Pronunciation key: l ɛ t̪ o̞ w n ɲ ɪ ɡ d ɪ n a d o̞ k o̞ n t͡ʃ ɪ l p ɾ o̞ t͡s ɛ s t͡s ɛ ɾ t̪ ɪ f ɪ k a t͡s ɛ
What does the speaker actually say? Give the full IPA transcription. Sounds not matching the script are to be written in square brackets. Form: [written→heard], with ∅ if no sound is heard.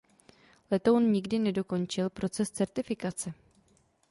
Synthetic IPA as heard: l ɛ t̪ o̞ w n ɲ ɪ ɡ d ɪ n [a→ɛ] d o̞ k o̞ n t͡ʃ ɪ l p ɾ o̞ t͡s ɛ s t͡s ɛ ɾ t̪ ɪ f ɪ k a t͡s ɛ

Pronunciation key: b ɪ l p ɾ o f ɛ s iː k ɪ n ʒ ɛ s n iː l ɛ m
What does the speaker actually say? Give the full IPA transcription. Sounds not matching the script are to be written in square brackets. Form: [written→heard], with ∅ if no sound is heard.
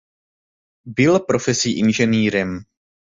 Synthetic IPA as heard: b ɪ l p ɾ o f ɛ s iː [k→ʔ] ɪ n ʒ ɛ [s→∅] n iː [l→ɾ] ɛ m

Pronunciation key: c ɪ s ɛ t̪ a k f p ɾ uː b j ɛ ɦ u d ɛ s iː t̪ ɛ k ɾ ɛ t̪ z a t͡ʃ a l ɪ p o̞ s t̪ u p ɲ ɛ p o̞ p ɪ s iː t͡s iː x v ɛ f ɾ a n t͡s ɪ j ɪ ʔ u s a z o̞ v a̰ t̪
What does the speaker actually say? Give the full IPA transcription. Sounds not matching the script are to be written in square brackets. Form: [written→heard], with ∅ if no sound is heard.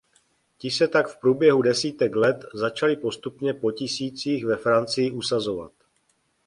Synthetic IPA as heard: c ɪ s ɛ t̪ a k f p ɾ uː b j ɛ ɦ u d ɛ s iː t̪ ɛ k [ɾ→l] ɛ t̪ z a t͡ʃ a l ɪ p o̞ s t̪ u p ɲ ɛ p o̞ [p→c] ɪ s iː t͡s iː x v ɛ f ɾ a n t͡s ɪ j ɪ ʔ u s a z o̞ v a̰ t̪

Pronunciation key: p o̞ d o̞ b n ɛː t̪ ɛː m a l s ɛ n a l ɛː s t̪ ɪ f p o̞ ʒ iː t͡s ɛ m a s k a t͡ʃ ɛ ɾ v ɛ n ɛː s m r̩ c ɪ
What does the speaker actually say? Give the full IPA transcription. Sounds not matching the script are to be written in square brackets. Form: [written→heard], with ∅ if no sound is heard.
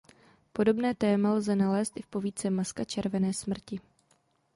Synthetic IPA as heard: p o̞ d o̞ b n ɛː t̪ ɛː m a l [s→z] ɛ n a l ɛː s t̪ ɪ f p o̞ [ʒ→v] iː t͡s ɛ m a s k a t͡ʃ ɛ ɾ v ɛ n ɛː s m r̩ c ɪ

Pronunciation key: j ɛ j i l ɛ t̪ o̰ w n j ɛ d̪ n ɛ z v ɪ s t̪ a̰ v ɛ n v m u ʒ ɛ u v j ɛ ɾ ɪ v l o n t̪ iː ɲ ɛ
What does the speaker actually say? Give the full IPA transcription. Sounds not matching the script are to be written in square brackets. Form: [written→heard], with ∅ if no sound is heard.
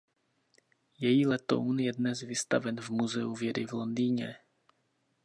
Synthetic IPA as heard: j ɛ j i l ɛ t̪ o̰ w n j ɛ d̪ n ɛ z v ɪ s t̪ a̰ v ɛ n v m u [ʒ→z] ɛ u v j ɛ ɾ ɪ v l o n [t̪→d̪] iː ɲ ɛ

